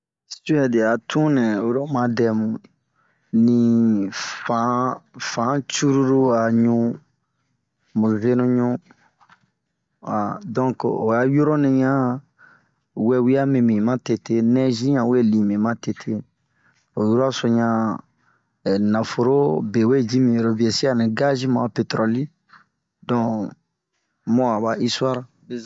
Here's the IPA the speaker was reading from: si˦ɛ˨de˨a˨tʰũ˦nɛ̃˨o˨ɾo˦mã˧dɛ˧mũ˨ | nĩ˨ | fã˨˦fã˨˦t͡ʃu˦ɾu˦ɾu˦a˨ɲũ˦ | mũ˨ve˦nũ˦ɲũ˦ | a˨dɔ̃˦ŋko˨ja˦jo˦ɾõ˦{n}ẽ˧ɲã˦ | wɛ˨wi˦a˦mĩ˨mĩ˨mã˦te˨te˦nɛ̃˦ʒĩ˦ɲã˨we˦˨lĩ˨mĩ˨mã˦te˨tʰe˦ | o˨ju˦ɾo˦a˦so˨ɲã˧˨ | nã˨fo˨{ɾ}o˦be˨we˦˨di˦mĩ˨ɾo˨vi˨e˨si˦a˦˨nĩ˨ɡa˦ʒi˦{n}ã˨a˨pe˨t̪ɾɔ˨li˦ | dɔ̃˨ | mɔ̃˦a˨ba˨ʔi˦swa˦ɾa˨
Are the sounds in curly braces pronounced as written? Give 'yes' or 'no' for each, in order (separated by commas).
yes, yes, no